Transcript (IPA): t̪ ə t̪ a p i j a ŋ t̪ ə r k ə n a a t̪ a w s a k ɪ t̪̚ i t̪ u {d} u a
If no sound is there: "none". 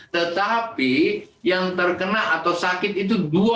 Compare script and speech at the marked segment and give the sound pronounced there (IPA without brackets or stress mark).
d